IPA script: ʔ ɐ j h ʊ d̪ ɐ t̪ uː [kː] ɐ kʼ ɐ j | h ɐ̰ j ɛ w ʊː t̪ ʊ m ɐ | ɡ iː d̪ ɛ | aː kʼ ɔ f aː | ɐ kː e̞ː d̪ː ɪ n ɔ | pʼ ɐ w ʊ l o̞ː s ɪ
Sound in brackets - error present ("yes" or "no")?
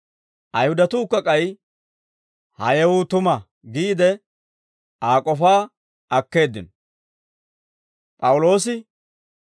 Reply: no